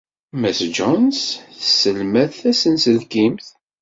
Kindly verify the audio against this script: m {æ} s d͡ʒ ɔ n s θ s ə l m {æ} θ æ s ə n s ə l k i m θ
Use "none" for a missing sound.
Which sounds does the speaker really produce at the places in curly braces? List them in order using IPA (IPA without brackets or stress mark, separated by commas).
æ, æ